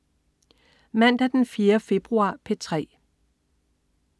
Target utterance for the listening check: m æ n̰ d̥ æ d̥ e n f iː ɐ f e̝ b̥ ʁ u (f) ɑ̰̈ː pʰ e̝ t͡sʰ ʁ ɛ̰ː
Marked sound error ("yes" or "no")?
yes